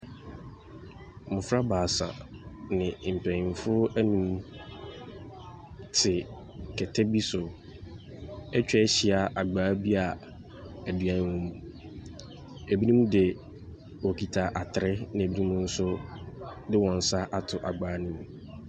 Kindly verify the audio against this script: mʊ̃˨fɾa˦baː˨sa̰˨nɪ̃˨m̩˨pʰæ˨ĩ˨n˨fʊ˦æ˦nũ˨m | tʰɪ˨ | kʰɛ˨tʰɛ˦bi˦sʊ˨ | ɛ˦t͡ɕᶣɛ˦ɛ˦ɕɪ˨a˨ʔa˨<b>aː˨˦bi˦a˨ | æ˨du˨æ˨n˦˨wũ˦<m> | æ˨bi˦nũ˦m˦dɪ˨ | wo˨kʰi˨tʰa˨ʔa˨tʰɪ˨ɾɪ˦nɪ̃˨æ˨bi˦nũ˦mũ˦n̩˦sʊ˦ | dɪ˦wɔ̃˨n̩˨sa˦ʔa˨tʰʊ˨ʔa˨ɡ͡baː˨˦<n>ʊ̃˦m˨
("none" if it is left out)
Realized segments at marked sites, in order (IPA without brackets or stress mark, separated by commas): ɡ͡b, m, n